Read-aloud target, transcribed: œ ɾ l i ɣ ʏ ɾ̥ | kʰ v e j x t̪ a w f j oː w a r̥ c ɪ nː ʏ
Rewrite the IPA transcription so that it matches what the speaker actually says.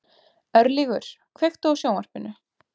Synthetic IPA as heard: œ ɾ l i ɣ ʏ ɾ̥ | kʰ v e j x t̪ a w s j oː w a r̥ p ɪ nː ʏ